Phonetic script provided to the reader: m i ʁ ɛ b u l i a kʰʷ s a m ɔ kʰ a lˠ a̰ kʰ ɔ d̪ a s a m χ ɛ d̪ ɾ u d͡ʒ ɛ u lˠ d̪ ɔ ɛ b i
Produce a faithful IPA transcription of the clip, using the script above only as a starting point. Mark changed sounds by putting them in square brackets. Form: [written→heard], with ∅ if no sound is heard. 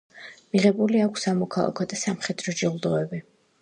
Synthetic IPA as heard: m i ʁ ɛ b u l i a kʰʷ s a m ɔ kʰ a lˠ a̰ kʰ ɔ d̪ a s a m χ ɛ d̪ ɾ [u→ɔ] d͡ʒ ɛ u lˠ d̪ ɔ ɛ b i